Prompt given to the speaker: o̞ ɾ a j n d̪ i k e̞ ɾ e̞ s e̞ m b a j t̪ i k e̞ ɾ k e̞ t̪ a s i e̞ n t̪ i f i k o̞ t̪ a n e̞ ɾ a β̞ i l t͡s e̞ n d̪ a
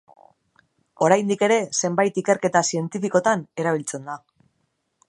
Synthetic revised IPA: o̞ ɾ a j n d̪ i k e̞ ɾ e̞ s e̞ m b a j t̪ i k e̞ ɾ k e̞ t̪ a s i e̞ n t̪ i f i k o̞ t̪ a n e̞ ɾ a β̞ i l t͡s e̞ n d̪ a